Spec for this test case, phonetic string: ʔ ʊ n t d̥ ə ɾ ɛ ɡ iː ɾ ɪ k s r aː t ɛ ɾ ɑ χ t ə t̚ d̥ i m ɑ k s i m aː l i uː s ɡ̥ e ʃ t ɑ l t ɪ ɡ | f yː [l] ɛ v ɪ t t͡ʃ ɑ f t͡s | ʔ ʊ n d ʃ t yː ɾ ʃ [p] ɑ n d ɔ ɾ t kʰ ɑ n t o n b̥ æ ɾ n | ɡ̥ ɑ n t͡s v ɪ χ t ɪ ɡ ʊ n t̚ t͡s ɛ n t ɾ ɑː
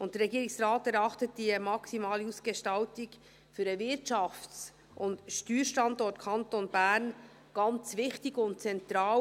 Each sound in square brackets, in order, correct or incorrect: incorrect: ɾ, incorrect: t

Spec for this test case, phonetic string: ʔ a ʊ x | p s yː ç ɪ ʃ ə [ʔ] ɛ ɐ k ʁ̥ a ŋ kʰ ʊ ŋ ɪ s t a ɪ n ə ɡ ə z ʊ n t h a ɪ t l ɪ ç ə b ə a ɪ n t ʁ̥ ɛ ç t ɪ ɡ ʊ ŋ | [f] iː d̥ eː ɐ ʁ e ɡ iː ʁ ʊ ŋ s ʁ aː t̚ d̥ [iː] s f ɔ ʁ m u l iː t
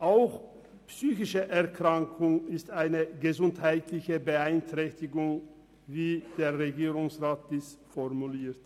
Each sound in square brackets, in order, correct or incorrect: correct, incorrect: v, correct

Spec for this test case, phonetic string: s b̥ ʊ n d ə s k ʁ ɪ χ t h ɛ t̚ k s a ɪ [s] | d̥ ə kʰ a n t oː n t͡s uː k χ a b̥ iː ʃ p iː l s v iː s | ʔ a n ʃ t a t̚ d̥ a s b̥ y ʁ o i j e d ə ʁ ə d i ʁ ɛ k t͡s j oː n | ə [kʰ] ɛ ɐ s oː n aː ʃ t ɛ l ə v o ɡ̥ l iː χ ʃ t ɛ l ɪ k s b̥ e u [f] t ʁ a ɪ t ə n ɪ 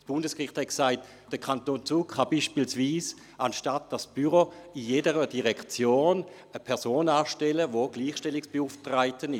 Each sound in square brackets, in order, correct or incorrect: incorrect: t, incorrect: pʰ, correct

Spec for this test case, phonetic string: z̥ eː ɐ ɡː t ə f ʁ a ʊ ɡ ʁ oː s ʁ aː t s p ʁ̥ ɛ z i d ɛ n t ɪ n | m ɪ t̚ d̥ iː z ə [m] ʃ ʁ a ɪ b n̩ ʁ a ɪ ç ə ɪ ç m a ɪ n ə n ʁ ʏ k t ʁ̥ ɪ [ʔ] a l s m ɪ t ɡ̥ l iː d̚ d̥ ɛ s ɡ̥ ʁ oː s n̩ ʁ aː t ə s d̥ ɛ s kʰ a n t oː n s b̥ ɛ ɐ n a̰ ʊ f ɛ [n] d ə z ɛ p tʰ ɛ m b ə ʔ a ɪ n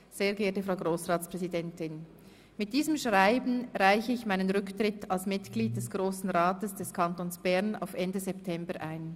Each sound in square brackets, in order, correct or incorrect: correct, incorrect: t, correct

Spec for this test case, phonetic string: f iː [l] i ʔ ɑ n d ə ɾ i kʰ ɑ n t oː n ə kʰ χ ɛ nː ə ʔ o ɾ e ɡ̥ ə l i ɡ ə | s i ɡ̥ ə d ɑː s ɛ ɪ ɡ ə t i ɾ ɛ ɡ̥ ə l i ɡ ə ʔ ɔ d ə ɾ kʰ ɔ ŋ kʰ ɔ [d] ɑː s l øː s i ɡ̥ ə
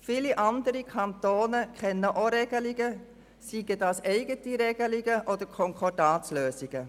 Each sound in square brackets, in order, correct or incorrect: correct, correct

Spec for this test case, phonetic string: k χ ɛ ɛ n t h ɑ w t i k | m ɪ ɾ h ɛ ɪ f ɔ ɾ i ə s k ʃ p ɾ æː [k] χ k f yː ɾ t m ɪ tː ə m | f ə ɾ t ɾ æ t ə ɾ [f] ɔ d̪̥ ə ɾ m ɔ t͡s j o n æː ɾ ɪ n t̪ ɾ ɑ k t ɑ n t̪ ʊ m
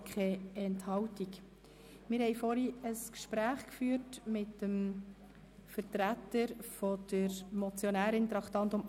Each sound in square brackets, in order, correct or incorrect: incorrect: none, correct

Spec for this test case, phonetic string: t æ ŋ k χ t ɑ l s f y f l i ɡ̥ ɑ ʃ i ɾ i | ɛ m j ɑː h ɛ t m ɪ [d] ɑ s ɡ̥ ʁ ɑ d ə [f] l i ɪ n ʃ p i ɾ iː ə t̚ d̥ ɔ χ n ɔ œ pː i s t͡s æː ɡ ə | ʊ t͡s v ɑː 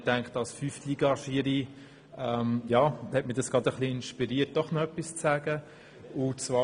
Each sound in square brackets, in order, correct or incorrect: correct, incorrect: χ

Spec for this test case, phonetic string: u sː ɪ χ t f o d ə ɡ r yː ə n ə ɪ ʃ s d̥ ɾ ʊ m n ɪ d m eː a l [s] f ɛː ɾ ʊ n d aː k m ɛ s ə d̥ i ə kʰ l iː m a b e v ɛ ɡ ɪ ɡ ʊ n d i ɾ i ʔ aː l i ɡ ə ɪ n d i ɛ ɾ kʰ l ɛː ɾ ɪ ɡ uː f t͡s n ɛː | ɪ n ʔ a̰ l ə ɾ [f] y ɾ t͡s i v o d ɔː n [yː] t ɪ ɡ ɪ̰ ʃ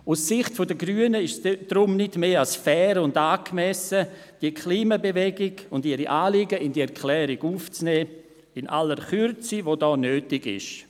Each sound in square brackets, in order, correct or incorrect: correct, incorrect: χ, incorrect: øː

